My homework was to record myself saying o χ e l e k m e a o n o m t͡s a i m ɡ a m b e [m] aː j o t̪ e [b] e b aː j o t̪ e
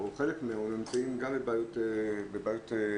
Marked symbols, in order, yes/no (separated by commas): no, yes